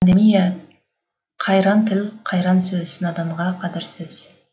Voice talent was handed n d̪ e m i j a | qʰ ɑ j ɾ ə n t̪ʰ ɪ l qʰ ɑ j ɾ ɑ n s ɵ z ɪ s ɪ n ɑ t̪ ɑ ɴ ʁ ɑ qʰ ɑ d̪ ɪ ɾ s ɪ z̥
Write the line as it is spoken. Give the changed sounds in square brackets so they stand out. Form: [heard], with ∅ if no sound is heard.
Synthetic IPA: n d̪ e m i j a | qʰ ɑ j ɾ [ɑ] n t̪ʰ ɪ l qʰ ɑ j ɾ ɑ n s ɵ z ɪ s ɪ n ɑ [d̪] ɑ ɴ ʁ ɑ qʰ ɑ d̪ ɪ ɾ s ɪ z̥